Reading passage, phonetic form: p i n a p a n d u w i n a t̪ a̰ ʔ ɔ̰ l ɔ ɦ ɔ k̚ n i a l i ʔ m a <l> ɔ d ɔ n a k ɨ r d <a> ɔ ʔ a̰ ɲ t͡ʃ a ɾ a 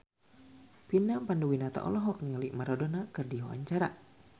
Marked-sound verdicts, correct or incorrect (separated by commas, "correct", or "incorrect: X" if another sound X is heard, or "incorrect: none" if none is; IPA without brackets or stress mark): incorrect: ɾ, incorrect: i